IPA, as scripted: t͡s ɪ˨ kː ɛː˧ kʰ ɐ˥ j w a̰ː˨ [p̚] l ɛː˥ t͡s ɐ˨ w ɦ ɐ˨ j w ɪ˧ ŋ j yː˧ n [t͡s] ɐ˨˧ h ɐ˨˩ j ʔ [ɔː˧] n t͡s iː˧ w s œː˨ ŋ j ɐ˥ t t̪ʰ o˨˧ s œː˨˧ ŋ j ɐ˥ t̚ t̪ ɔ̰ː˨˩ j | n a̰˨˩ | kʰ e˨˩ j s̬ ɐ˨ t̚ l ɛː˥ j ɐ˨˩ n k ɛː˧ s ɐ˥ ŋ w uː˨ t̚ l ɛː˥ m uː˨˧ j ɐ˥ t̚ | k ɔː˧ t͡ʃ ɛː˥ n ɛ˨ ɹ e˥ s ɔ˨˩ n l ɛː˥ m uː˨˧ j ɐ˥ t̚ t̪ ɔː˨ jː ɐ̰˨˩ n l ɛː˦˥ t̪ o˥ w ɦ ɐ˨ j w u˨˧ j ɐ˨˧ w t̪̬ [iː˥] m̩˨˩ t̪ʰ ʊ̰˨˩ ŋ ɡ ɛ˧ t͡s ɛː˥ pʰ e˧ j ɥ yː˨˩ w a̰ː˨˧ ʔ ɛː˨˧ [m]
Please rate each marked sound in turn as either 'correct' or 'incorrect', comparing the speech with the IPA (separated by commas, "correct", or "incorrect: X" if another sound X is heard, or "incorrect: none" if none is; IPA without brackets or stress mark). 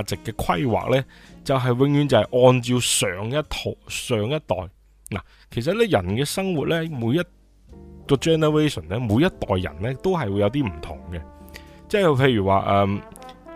incorrect: k̚, correct, correct, correct, correct